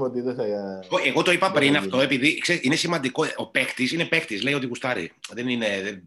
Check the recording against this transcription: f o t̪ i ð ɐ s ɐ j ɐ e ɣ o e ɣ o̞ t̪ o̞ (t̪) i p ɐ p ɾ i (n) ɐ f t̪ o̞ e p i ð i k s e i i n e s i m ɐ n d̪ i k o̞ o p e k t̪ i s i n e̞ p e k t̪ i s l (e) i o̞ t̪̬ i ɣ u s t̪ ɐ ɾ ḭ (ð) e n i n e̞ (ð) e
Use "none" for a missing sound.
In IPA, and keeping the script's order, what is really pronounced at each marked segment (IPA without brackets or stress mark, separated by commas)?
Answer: none, n, e, ð, ð